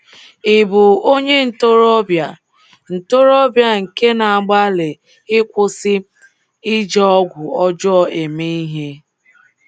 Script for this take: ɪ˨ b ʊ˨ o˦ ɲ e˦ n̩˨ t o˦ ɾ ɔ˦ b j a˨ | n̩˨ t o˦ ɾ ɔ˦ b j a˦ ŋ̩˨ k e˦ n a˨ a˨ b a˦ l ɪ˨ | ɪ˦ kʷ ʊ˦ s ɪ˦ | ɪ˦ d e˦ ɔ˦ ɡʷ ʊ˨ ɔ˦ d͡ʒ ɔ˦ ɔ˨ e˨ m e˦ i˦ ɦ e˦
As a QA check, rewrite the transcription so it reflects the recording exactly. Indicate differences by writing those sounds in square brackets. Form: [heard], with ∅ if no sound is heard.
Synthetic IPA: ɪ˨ b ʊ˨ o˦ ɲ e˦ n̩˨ t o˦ ɾ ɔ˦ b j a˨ | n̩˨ t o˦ ɾ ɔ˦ b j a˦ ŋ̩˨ k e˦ n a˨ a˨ [ɡ͡b] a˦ l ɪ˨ | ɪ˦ kʷ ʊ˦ s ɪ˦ | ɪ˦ [d͡ʒ] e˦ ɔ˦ ɡʷ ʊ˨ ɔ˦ d͡ʒ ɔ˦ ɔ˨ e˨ m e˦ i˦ ɦ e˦